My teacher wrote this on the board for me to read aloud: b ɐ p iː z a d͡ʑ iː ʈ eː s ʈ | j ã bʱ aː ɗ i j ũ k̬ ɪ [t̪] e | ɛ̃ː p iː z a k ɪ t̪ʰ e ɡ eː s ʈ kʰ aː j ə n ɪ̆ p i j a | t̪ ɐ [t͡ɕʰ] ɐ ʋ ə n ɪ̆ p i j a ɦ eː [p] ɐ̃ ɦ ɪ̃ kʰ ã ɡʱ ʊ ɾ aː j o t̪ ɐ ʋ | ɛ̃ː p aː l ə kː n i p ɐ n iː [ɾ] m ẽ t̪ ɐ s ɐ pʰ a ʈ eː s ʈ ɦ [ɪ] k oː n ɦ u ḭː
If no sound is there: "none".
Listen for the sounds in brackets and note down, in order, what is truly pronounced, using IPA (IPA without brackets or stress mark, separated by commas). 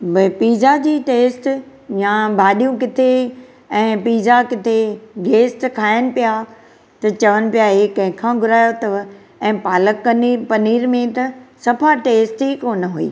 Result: t̪ʰ, t͡ɕ, k, ɾ, i